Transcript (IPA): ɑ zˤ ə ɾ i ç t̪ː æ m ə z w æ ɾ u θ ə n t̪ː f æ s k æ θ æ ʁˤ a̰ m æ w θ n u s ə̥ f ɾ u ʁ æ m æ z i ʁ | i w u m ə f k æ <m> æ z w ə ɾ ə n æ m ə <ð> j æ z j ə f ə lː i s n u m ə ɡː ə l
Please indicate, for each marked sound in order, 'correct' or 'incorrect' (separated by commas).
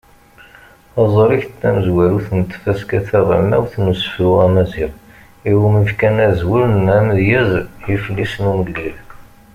incorrect, correct